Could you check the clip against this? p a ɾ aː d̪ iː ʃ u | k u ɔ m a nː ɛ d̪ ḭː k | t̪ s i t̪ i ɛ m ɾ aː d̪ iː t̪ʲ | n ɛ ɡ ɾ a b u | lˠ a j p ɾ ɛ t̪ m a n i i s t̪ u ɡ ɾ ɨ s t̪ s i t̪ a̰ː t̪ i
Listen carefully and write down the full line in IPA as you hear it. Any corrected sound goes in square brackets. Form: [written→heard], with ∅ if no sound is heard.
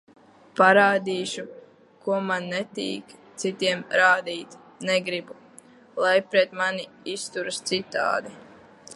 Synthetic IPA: p a ɾ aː d̪ iː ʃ u | k u ɔ m a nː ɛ [d̪→t̪] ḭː k | t̪ s i t̪ i ɛ m ɾ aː d̪ iː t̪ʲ | n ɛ ɡ ɾ [a→i] b u | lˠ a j p ɾ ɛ t̪ m a n i i s t̪ u [ɡ→∅] ɾ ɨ s t̪ s i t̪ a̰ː [t̪→d̪] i